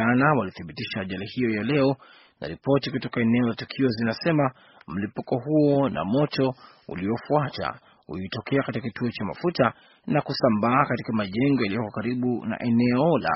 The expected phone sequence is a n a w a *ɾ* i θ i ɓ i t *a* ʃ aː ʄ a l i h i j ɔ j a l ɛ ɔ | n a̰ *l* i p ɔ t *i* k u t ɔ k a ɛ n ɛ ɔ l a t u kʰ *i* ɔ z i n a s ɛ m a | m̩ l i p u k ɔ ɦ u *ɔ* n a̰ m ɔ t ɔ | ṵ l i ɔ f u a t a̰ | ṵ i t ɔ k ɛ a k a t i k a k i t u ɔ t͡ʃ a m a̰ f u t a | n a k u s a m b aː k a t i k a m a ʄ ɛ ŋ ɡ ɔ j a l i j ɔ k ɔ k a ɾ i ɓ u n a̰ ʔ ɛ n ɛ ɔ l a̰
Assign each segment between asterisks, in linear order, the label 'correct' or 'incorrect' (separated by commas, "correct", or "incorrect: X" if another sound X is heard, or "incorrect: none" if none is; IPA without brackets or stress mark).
incorrect: l, incorrect: i, incorrect: ɾ, correct, correct, correct